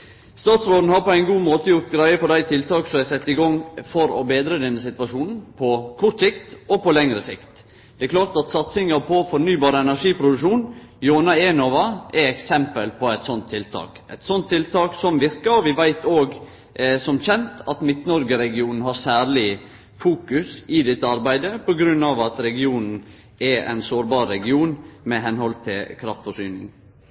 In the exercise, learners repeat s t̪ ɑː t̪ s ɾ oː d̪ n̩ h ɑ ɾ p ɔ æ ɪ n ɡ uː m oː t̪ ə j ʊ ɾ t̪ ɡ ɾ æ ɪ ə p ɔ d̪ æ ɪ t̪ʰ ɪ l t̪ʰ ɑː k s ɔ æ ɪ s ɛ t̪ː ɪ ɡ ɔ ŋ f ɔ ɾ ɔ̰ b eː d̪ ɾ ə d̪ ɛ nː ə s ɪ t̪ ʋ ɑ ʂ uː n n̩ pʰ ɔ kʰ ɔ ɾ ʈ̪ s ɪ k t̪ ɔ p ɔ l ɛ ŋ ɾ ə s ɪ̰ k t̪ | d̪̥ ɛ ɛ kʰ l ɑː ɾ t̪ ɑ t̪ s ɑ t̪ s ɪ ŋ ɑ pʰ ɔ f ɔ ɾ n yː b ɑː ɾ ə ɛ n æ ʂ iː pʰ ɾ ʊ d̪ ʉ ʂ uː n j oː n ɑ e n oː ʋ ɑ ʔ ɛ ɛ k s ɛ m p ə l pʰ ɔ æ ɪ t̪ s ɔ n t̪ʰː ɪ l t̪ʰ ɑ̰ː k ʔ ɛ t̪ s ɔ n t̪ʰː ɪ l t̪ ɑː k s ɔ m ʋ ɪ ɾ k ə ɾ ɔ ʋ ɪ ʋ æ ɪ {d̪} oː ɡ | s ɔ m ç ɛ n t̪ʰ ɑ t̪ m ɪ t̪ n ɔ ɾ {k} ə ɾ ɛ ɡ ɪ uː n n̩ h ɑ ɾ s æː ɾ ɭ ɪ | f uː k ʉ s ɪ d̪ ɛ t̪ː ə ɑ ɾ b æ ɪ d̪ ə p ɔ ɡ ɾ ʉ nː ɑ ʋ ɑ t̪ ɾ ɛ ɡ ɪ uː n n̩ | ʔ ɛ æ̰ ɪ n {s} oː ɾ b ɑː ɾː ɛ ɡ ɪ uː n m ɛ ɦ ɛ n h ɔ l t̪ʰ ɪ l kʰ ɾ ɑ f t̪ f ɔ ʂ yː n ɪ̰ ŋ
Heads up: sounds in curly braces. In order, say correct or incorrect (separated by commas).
incorrect, incorrect, correct